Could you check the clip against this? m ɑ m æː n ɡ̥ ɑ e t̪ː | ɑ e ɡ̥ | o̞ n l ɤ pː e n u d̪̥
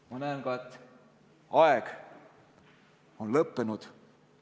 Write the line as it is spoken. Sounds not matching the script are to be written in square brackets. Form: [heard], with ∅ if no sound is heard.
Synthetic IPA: m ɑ [n] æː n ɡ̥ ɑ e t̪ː | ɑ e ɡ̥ | o̞ n l ɤ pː e n u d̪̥